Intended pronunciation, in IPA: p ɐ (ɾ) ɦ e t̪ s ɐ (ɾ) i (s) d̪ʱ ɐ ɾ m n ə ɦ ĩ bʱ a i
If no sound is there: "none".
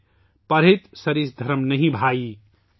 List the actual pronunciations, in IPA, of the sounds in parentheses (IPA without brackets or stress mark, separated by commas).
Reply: ɾ, ɾ, s